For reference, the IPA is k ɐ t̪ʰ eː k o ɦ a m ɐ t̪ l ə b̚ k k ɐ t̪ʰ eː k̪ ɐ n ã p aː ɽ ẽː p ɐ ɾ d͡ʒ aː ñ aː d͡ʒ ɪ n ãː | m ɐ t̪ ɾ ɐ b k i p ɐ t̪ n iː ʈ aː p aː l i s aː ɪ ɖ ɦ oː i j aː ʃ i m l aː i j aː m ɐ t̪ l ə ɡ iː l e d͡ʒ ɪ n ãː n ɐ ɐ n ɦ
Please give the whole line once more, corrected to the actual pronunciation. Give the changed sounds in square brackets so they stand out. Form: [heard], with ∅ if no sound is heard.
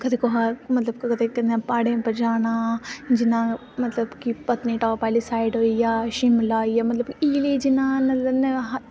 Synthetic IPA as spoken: k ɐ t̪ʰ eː k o ɦ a m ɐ t̪ l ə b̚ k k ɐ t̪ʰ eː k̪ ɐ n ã p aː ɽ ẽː p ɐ ɾ d͡ʒ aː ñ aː d͡ʒ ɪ n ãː | m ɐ t̪ [l] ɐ b k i p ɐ t̪ n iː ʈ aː p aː l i s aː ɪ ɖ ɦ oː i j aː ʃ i m l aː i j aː m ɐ t̪ l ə [b] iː l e d͡ʒ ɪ n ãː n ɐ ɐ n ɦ